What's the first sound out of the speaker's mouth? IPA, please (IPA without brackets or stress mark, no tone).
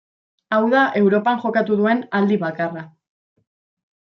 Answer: a